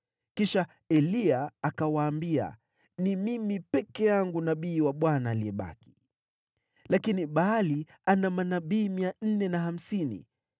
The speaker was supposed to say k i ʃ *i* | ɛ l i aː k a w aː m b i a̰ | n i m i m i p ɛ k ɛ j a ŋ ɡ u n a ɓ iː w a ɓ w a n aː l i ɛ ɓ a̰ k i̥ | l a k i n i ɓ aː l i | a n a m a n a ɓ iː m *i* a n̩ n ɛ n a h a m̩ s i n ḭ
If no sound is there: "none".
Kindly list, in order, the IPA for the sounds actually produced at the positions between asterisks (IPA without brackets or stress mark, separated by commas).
a, i